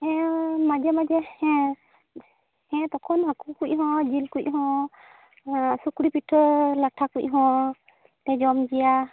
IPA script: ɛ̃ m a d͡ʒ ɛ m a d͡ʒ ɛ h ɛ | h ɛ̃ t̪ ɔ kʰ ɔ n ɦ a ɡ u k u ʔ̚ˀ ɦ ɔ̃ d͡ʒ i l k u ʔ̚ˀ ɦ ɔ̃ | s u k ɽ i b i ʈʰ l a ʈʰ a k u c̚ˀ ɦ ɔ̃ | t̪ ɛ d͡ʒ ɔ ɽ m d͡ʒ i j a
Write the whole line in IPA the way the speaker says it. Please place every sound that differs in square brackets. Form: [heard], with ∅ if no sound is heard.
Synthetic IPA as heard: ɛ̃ m a d͡ʒ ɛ m a d͡ʒ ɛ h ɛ | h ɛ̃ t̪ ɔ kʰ ɔ n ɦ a [k] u k u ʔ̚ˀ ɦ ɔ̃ d͡ʒ i l k u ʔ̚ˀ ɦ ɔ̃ | s u k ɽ i [p] i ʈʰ l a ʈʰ a k u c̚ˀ ɦ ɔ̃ | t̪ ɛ d͡ʒ ɔ [∅] m d͡ʒ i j a